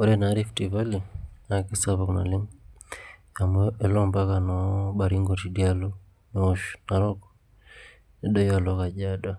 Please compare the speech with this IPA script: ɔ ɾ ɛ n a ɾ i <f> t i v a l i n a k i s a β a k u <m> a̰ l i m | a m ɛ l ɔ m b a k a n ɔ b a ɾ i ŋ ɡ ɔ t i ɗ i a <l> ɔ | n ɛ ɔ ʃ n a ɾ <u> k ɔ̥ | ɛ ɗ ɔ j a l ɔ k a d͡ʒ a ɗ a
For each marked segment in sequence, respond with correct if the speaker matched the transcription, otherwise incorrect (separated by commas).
correct, incorrect, correct, incorrect